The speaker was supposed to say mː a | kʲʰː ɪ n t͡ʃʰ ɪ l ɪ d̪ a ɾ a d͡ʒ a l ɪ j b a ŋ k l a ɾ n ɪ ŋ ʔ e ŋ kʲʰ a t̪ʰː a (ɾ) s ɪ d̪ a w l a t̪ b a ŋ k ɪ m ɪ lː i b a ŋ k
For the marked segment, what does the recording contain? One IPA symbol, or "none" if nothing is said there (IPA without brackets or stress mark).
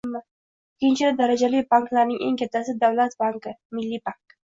none